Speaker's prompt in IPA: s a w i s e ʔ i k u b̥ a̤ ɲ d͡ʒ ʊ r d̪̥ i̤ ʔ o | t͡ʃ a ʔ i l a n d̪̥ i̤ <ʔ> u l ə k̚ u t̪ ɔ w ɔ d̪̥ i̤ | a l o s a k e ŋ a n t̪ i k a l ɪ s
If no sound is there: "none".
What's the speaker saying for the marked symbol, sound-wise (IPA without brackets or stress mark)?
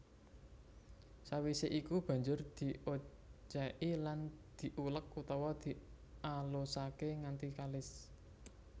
ʔ